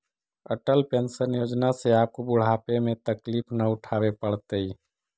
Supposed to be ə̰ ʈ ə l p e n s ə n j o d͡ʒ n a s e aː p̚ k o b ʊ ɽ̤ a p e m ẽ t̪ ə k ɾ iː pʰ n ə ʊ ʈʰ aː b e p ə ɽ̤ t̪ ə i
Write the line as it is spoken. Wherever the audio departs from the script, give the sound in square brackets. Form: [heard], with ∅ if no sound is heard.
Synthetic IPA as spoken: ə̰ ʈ ə l p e n s ə n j o d͡ʒ n a s e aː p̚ k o b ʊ ɽ̤ a p e m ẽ t̪ ə k [l] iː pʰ n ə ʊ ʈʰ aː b e p ə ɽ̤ t̪ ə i